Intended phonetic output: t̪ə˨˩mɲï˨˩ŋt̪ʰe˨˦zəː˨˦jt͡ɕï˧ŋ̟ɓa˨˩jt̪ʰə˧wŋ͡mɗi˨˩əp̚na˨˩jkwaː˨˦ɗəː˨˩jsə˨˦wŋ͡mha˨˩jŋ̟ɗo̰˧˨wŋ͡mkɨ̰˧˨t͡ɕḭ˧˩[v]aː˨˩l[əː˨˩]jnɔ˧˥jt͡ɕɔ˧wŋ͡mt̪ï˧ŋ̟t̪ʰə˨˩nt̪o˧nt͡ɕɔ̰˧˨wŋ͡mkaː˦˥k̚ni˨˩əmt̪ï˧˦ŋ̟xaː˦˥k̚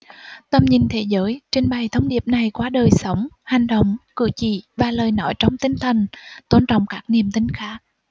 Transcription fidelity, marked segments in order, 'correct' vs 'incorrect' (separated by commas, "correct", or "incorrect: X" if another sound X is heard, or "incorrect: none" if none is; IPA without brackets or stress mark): correct, correct